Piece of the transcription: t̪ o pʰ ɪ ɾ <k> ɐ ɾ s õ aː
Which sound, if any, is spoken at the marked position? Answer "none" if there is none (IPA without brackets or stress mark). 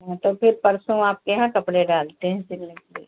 p